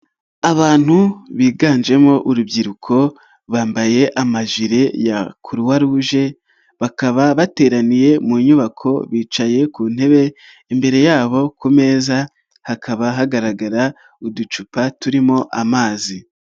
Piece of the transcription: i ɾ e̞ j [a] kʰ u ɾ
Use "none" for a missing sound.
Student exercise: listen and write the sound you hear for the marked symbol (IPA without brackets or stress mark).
a